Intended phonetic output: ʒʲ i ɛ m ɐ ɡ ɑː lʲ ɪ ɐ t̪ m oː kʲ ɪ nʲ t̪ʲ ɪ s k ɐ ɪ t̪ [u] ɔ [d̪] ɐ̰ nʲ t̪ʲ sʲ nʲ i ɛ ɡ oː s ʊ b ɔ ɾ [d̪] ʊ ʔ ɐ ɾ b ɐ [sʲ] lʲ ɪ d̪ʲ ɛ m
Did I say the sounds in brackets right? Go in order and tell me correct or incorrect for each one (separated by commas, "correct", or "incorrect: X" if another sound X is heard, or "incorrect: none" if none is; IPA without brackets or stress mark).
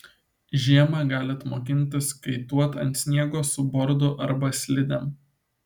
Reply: correct, incorrect: t̪, correct, correct